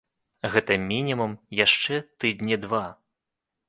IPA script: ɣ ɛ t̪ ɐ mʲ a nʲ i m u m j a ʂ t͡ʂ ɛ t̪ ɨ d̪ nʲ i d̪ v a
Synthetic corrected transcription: ɣ ɛ t̪ ɐ mʲ i nʲ i m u m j a ʂ t͡ʂ ɛ t̪ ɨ d̪ nʲ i d̪ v a